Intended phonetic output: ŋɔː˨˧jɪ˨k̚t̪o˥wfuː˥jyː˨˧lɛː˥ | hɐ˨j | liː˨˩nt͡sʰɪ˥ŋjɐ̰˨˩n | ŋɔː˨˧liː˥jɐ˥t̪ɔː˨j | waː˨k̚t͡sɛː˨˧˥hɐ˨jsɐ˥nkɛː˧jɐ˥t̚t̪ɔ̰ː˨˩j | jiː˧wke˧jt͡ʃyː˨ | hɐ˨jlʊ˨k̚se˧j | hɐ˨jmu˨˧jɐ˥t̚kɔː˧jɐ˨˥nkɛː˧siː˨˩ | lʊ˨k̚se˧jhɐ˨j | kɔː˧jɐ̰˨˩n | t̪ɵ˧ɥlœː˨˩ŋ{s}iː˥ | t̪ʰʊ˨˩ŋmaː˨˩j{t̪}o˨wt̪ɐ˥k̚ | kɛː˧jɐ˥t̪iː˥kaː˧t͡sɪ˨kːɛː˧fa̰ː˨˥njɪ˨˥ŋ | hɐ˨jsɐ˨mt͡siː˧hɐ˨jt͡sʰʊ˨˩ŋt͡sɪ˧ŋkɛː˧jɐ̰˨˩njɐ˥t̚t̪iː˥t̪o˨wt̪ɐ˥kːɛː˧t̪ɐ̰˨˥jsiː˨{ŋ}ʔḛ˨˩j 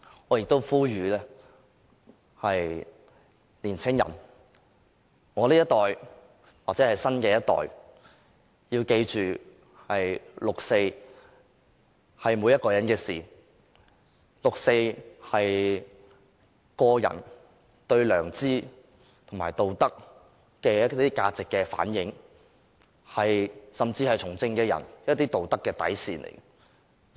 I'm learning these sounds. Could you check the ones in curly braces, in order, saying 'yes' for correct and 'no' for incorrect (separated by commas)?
no, yes, no